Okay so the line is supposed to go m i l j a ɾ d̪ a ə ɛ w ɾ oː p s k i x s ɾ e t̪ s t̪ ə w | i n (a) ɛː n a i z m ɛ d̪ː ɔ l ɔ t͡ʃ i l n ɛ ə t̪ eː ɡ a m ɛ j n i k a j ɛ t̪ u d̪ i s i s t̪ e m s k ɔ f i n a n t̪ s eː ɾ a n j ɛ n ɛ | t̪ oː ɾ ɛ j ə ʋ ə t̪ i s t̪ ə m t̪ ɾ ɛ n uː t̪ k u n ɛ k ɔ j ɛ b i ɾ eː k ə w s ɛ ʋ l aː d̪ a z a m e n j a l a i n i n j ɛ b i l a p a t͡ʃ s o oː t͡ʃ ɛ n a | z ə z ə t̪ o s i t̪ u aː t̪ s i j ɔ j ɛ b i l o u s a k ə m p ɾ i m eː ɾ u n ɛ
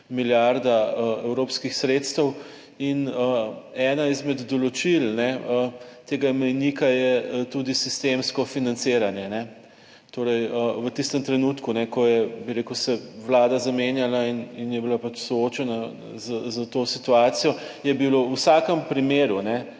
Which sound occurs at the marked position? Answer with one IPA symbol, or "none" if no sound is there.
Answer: ə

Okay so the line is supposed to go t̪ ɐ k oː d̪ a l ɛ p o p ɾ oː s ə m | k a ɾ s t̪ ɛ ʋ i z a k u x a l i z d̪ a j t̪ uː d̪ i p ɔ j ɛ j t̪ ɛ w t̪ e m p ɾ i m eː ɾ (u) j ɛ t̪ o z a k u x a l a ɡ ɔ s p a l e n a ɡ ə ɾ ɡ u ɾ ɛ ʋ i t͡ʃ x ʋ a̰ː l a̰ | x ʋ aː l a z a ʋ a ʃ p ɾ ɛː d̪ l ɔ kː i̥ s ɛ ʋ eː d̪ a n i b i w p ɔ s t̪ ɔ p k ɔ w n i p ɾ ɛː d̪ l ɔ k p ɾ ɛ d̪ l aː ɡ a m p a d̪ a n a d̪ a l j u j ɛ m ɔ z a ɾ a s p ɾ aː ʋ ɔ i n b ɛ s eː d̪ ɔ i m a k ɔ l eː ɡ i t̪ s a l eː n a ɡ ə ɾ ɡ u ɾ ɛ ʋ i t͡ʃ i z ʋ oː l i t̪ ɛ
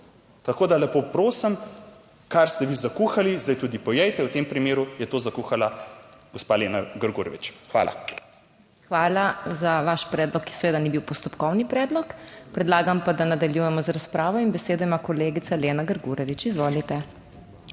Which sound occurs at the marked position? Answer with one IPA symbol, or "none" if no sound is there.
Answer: u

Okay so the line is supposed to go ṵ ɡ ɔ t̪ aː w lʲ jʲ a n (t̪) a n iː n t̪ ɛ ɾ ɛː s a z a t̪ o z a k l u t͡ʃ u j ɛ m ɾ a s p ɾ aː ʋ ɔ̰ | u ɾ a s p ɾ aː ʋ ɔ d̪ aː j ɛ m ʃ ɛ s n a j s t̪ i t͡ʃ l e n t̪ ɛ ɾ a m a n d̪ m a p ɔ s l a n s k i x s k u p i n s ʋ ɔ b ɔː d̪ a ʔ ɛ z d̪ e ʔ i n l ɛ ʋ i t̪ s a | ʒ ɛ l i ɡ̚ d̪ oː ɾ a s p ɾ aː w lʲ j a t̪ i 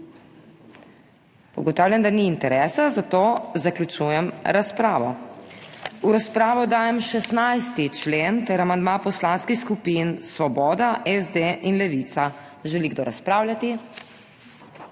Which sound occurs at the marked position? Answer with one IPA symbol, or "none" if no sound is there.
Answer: d̪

